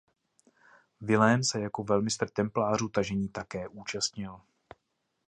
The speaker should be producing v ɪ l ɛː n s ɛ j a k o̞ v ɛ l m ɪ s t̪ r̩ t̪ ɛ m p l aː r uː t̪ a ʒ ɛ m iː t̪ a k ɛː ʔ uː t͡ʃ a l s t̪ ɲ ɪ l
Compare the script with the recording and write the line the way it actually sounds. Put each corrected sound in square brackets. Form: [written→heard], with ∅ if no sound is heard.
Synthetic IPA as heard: v ɪ l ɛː n s ɛ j a k o̞ v ɛ l m ɪ s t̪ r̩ t̪ ɛ m p l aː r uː t̪ a ʒ ɛ [m→ɲ] iː t̪ a k ɛː ʔ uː t͡ʃ a [l→∅] s t̪ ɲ ɪ l